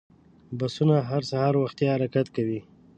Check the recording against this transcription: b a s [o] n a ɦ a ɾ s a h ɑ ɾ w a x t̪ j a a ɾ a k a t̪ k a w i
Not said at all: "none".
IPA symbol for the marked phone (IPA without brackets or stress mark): u